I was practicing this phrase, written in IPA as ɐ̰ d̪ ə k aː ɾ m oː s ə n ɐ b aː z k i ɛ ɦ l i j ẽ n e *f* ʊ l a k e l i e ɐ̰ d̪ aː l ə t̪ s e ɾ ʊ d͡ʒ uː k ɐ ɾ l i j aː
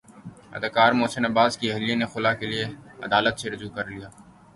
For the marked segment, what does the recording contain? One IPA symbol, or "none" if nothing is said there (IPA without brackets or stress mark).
x